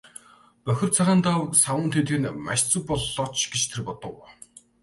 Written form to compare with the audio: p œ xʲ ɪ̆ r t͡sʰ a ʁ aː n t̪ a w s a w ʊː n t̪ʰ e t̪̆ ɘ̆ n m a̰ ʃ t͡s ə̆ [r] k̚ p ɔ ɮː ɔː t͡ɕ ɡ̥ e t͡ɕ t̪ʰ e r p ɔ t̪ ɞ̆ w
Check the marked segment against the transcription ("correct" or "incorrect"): incorrect